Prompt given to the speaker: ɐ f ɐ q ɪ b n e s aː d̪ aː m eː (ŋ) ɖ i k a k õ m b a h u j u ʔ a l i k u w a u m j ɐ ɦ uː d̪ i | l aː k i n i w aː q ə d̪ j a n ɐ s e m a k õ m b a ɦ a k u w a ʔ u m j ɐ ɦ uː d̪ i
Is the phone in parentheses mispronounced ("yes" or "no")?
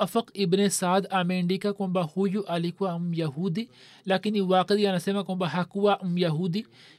yes